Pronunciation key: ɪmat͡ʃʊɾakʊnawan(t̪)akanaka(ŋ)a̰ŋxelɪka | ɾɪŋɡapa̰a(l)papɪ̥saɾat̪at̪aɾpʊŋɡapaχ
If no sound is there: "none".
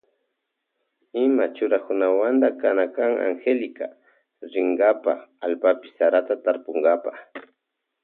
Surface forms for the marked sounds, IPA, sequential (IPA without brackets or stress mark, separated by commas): d̪, ŋ, l